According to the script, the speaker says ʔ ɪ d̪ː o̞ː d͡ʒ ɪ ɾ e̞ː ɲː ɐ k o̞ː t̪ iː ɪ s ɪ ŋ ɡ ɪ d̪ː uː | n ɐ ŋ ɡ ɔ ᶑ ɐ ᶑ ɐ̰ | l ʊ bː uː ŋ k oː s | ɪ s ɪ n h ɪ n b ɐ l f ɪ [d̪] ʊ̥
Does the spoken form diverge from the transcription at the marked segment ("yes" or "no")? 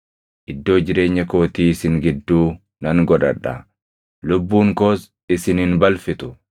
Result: yes